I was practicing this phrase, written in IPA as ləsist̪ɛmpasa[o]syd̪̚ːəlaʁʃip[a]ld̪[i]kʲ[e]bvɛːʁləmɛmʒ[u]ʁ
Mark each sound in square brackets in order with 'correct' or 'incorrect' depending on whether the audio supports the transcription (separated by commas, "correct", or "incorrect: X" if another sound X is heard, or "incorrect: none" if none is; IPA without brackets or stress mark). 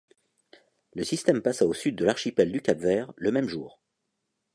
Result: correct, incorrect: ɛ, incorrect: y, incorrect: a, incorrect: uː